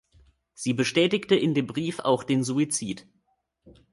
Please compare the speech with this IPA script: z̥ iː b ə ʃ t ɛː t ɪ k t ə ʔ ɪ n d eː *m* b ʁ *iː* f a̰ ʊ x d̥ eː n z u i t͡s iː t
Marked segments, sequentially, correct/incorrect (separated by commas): correct, correct